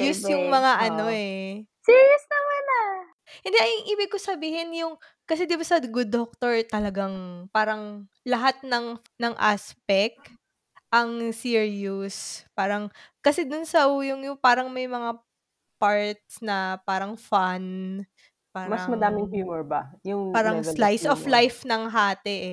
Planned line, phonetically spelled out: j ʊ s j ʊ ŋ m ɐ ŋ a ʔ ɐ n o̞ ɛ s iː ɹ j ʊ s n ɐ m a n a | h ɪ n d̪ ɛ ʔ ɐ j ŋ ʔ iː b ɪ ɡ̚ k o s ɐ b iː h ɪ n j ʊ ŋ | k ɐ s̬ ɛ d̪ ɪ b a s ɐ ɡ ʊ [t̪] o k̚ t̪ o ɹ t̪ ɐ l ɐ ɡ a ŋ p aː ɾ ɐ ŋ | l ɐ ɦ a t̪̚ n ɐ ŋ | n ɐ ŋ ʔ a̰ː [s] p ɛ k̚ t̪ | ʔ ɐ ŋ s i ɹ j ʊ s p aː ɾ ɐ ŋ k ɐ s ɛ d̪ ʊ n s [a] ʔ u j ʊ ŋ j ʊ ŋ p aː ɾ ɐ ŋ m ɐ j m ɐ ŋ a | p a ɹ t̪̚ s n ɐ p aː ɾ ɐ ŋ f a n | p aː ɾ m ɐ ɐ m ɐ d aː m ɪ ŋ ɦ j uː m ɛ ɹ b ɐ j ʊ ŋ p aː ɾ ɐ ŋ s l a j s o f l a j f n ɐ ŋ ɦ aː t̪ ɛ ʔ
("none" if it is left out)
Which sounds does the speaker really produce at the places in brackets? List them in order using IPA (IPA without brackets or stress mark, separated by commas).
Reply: d̪, s, ɐ